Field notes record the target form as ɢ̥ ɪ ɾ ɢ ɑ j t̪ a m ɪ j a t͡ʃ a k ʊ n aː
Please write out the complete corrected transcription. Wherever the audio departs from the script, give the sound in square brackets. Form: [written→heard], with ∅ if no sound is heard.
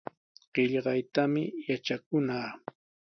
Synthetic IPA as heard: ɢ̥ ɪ [ɾ→ʎ] ɢ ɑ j t̪ a m ɪ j a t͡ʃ a k ʊ n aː

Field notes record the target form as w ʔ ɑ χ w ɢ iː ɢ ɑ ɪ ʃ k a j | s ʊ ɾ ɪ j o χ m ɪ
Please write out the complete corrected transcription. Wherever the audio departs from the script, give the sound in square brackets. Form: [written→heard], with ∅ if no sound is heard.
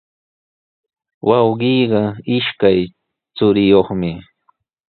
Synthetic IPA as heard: w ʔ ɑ [χ→∅] w ɢ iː ɢ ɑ ɪ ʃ k a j | [s→t͡s] ʊ ɾ ɪ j o χ m ɪ

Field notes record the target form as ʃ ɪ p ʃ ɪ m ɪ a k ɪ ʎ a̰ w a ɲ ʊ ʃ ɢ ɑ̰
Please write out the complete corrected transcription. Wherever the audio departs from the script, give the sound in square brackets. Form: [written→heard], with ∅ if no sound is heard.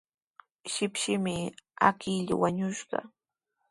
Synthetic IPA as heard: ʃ ɪ p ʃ ɪ m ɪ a k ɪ ʎ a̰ w a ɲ ʊ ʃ ɢ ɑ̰

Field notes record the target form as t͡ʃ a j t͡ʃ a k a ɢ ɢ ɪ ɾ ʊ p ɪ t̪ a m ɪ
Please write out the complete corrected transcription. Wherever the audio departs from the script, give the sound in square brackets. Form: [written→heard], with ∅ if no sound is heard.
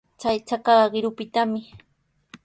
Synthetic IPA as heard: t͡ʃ a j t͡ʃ a k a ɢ ɢ ɪ ɾ ʊ p ɪ t̪ a m ɪ

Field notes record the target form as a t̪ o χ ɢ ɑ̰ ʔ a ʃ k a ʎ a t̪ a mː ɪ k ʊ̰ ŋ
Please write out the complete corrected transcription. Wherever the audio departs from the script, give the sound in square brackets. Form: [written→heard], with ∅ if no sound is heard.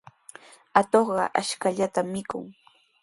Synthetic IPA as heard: a t̪ o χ ɢ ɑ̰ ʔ a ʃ k a ʎ a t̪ a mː ɪ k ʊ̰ ŋ

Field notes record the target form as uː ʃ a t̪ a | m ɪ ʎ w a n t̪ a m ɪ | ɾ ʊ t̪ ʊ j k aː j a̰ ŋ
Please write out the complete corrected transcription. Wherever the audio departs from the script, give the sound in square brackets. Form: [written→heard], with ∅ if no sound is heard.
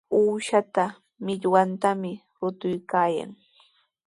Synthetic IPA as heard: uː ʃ a t̪ a | m ɪ ʎ w a n t̪ a m ɪ | ɾ ʊ t̪ ʊ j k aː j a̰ ŋ

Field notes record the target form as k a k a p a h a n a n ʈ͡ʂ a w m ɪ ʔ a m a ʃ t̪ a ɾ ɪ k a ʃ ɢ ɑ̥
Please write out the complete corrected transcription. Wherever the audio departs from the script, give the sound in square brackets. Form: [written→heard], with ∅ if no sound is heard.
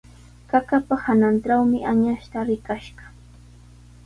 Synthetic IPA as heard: k a k a p a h a n a n ʈ͡ʂ a w m ɪ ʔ a [m→ɲ] a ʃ t̪ a ɾ ɪ k a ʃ ɢ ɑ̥

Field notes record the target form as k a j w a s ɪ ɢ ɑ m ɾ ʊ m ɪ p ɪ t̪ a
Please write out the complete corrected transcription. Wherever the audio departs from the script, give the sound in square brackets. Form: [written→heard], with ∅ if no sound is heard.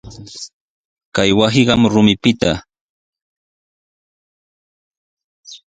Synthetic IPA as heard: k a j w a s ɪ ɢ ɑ m ɾ ʊ m ɪ p ɪ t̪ a

